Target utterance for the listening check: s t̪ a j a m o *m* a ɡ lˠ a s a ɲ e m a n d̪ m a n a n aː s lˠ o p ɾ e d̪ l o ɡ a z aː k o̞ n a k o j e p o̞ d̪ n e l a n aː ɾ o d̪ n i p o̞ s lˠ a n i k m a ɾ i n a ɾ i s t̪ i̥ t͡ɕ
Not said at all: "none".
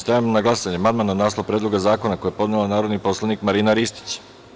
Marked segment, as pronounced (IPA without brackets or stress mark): n